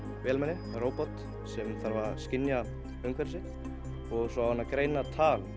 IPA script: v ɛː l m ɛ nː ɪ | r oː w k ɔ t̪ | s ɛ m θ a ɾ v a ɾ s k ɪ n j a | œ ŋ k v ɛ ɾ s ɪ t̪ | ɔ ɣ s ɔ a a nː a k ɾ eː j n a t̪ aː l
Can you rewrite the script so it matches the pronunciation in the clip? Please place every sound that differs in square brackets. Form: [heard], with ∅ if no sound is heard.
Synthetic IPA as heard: v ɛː l m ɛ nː ɪ | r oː w [p] ɔ t̪ | s ɛ m θ a ɾ v a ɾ s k ɪ n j a | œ ŋ k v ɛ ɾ s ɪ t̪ | ɔ ɣ s ɔ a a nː a k ɾ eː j n a [t̪ʰ] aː l